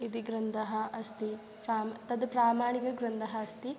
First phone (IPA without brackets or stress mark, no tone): i